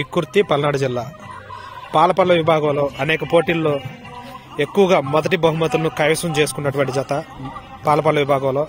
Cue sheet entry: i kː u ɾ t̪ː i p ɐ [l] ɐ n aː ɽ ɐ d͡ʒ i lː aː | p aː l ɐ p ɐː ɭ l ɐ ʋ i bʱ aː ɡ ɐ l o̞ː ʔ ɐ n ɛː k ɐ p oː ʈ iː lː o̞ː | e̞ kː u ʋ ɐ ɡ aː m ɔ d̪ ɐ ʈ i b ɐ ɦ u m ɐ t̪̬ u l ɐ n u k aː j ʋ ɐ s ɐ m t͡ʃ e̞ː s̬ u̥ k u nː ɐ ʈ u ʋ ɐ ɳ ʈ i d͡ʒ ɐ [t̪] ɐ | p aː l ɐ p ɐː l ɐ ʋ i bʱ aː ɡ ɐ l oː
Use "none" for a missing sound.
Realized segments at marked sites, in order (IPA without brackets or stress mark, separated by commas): l, t̪